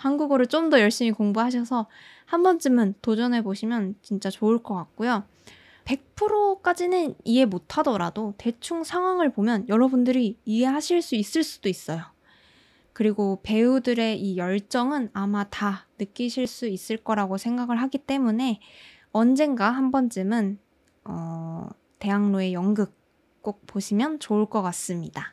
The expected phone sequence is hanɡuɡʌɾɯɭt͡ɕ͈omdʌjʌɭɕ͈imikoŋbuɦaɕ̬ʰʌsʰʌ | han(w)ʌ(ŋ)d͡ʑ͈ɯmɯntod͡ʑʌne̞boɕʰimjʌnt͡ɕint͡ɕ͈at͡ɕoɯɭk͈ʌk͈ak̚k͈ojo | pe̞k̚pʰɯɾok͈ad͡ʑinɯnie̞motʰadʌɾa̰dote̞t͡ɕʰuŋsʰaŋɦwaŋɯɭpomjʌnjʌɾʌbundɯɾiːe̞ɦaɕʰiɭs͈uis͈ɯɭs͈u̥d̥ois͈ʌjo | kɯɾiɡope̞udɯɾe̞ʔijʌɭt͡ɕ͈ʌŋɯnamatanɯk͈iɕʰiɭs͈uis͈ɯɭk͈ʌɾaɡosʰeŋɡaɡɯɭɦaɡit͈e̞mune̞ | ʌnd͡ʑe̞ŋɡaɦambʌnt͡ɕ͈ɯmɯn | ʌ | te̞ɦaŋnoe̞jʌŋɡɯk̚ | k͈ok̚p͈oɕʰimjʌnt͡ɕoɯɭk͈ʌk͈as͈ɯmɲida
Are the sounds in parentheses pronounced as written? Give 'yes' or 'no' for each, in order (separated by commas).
no, no